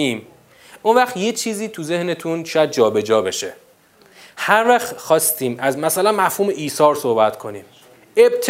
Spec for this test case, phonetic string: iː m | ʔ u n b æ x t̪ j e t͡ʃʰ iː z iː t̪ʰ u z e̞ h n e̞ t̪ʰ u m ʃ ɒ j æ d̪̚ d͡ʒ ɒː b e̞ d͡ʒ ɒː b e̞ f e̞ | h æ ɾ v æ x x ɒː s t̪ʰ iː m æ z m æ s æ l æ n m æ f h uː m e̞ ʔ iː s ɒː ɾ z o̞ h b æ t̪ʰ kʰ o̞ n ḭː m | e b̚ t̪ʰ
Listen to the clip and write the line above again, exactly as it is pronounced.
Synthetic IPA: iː m | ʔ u n v æ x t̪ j e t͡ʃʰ iː z iː t̪ʰ u z e̞ h n e̞ t̪ʰ u n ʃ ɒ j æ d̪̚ d͡ʒ ɒː b e̞ d͡ʒ ɒː b e̞ ʃ e̞ | h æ ɾ v æ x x ɒː s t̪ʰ iː m æ z m æ s æ l æ n m æ f h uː m e̞ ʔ iː s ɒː ɾ s o̞ h b æ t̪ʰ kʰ o̞ n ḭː m | e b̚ t̪ʰ